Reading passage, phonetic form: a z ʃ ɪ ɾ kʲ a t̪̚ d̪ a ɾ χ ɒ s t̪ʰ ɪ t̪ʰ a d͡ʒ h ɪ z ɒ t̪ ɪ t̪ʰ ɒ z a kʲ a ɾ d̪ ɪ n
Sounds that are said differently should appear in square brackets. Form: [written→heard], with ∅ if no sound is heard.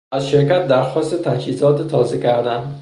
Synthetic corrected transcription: a z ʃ ɪ ɾ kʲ a t̪̚ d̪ a ɾ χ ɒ s [t̪ʰ→t̪] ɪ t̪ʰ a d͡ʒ h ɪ z ɒ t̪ ɪ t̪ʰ ɒ z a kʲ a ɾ d̪ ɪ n